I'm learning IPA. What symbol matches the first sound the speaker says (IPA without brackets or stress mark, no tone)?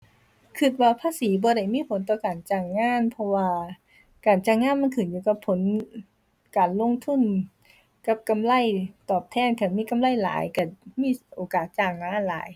kʰ